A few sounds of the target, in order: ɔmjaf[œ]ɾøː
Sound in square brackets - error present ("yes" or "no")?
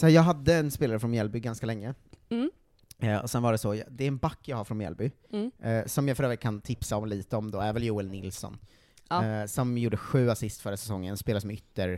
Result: no